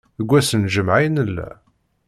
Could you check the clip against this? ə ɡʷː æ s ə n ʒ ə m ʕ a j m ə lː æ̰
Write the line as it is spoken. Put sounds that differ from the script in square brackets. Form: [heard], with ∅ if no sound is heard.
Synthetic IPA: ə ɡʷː æ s ə n ʒ ə m ʕ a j [n] ə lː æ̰

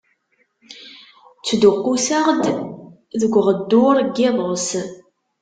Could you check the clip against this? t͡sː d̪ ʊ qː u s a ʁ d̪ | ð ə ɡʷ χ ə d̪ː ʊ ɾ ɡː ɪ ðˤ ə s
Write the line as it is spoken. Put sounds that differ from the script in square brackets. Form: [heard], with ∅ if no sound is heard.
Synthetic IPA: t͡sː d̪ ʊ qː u s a ʁ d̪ | ð ə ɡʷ [ʁ] ə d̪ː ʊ ɾ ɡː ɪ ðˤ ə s

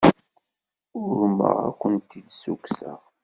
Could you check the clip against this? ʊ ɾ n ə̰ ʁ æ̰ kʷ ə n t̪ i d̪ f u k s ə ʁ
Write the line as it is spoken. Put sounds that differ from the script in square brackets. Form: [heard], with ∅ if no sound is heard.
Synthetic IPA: ʊ ɾ [m] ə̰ ʁ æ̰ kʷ ə n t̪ i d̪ [s] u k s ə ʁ

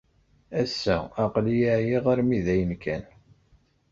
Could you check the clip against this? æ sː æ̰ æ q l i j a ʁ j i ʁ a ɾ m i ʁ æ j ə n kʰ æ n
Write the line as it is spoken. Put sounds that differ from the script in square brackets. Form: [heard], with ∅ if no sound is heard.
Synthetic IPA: æ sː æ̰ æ q l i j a [ʕ] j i ʁ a ɾ m i [ð] æ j ə n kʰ æ n

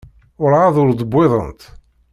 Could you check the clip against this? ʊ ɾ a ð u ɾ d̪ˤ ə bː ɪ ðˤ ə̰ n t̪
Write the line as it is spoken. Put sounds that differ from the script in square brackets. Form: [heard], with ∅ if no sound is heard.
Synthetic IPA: ʊ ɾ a ð [ʊ] ɾ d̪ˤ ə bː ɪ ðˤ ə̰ n t̪

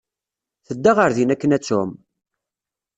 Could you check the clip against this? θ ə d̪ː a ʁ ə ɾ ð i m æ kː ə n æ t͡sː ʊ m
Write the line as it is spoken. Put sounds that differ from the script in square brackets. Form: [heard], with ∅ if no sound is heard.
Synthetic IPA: θ ə d̪ː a ʁ ə ɾ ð i [n] æ kː ə n æ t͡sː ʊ m

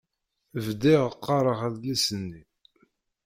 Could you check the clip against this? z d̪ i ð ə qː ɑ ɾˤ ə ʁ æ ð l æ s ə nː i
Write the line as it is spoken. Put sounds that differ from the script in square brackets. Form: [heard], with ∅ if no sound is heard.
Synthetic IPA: [v] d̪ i [ʁ] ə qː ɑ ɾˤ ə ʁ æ ð l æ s ə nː i

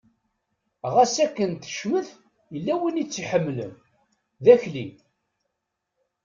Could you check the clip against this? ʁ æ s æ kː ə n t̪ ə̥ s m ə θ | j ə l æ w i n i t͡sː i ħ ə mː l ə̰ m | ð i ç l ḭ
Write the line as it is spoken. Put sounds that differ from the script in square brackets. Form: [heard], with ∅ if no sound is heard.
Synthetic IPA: ʁ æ s æ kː ə n t̪ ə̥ [ʃ] m ə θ | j ə [lː] æ w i n i t͡sː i ħ ə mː l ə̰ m | ð [æ] ç l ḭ

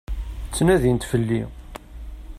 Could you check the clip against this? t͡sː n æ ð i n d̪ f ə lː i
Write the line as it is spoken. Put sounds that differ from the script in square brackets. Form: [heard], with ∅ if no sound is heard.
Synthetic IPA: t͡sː n æ ð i n [t̪] f ə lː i

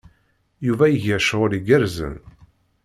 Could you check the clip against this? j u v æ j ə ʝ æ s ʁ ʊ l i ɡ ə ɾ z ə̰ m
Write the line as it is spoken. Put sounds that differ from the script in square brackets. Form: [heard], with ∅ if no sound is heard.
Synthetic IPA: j u v æ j ə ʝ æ [ʃ] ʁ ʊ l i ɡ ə ɾ z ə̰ [n]

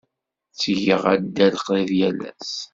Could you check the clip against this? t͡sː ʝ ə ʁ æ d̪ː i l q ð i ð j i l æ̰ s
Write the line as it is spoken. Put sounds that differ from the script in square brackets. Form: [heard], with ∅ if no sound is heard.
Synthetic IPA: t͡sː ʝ ə ʁ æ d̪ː [æ] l q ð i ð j [æ] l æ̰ s

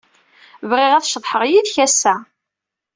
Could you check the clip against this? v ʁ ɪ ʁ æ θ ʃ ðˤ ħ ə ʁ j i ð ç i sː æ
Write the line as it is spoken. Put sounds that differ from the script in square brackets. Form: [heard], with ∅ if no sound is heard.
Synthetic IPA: v ʁ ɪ ʁ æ θ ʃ ðˤ ħ ə ʁ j i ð ç [æ] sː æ

